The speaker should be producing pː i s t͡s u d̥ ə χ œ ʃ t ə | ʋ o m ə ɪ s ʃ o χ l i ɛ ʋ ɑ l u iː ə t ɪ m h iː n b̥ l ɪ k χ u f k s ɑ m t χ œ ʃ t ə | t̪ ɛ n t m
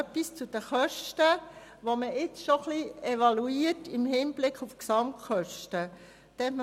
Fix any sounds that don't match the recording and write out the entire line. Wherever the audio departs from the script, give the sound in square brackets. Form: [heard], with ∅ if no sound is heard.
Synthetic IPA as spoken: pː i s t͡s u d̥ ə χ œ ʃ t ə | ʋ o m ə ɪ [t͡s] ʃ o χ l i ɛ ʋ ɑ l u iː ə t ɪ m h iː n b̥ l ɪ k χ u f k s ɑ m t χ œ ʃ t ə | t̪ ɛ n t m